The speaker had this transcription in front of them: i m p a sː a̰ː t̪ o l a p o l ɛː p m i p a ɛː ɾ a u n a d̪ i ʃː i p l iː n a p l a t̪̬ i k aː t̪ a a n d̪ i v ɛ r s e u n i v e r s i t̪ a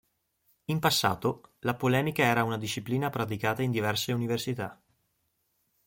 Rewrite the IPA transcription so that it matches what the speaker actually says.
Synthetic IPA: i m p a sː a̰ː t̪ o l a p o l ɛː m i k a ɛː ɾ a u n a d̪ i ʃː i p l iː n a p ɾ a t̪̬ i k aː t̪ a i n d̪ i v ɛ r s e u n i v e r s i t̪ a

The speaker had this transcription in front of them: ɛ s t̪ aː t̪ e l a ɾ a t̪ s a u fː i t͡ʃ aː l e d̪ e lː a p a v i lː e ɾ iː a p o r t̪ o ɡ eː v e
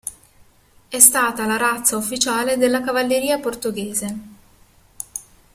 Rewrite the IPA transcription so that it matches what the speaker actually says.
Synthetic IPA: ɛ s t̪ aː t̪ a l a ɾ a t̪ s a u fː i t͡ʃ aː l e d̪ e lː a k a v a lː e ɾ iː a p o r t̪ o ɡ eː z e

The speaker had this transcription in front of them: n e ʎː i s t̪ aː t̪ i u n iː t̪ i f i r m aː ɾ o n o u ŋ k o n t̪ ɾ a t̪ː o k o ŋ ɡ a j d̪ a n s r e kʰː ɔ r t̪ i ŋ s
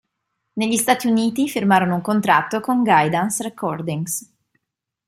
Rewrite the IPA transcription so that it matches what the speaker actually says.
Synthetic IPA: n e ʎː i s t̪ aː t̪ i u n iː t̪ i f i r m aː ɾ o n o u ŋ k o n t̪ ɾ a t̪ː o k o ŋ ɡ a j d̪ a n s r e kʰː ɔ r d̪ i ŋ s

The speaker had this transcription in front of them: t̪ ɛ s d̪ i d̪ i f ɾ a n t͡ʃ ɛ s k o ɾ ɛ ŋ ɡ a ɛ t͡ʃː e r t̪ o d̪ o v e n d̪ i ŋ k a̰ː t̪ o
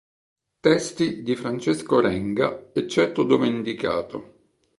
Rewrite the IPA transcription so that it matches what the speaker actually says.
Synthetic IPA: t̪ ɛ s t̪ i d̪ i f ɾ a n t͡ʃ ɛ s k o ɾ ɛ ŋ ɡ a ɛ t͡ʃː ɛ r t̪ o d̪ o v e n d̪ i k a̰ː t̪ o

